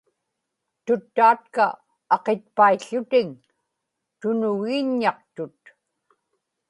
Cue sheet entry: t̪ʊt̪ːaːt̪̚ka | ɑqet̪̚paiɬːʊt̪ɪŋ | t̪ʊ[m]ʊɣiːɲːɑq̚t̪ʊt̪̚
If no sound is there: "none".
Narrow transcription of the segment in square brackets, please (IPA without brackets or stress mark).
n